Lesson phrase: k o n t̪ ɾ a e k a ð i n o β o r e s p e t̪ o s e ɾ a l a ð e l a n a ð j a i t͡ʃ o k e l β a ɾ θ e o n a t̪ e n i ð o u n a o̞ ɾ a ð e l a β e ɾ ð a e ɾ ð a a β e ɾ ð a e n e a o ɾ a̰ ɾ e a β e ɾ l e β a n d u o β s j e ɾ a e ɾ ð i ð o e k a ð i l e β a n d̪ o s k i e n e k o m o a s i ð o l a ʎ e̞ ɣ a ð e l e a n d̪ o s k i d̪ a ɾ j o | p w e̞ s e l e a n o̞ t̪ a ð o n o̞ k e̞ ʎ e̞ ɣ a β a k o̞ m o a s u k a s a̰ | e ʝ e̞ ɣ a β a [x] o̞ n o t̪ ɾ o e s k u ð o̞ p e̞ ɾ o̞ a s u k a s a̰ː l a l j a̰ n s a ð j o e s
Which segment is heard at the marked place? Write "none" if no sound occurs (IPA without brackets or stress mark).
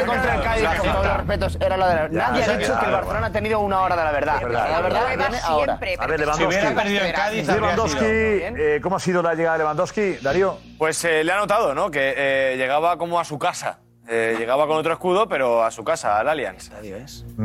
k